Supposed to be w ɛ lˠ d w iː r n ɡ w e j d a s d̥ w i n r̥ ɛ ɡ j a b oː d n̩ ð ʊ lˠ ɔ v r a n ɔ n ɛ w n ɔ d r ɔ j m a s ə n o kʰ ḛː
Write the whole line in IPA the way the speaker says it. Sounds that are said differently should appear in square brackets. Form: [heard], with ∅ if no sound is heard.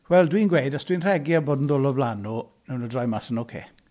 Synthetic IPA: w ɛ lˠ d w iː [∅] n ɡ w e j d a s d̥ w i n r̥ ɛ ɡ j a b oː d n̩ ð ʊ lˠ ɔ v [l] a n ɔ n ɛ w n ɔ d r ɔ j m a s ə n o kʰ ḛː